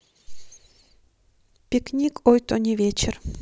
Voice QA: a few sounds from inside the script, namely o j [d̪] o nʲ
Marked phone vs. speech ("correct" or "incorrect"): incorrect